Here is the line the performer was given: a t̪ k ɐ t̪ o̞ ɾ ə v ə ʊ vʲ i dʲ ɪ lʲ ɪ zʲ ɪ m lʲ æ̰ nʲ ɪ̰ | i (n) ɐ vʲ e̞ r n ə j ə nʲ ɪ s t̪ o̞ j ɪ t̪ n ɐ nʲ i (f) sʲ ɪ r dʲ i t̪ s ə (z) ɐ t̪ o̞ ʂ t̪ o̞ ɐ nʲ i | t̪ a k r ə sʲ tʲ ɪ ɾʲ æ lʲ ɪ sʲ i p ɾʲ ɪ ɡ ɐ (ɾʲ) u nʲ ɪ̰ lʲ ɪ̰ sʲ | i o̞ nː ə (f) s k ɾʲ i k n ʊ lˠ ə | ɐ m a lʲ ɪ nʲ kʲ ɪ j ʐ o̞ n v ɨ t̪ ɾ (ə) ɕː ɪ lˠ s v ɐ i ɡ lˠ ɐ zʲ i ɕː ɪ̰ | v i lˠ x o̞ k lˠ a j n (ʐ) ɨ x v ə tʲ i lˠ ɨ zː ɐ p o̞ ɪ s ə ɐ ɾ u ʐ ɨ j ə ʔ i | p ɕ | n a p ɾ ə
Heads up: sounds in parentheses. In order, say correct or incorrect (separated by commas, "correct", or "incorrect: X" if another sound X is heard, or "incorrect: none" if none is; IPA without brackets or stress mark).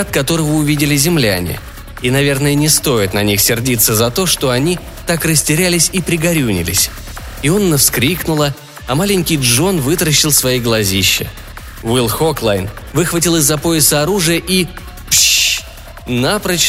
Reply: correct, incorrect: x, correct, correct, correct, correct, incorrect: v